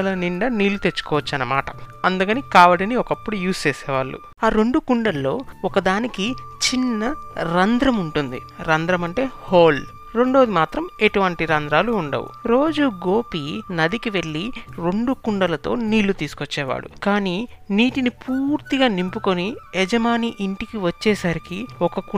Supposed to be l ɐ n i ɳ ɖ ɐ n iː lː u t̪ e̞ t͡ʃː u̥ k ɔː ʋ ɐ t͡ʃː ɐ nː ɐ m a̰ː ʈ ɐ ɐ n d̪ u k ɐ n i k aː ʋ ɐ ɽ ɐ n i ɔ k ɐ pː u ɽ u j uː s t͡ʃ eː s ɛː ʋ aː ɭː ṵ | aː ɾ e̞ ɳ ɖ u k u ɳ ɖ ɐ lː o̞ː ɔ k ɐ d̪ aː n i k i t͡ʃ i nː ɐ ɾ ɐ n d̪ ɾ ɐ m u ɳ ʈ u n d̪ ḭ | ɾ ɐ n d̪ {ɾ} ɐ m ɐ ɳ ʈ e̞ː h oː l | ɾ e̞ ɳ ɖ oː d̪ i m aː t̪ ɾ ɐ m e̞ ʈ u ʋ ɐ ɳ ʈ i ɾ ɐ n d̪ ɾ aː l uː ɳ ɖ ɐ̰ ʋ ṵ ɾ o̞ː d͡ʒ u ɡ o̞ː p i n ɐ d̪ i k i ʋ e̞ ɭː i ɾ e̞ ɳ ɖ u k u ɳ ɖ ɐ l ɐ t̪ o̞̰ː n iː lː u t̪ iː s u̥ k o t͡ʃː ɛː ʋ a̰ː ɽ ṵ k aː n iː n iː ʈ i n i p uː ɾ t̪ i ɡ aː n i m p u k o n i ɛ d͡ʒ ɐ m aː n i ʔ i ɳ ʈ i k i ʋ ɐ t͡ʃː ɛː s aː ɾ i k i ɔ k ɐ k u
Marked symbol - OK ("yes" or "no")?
yes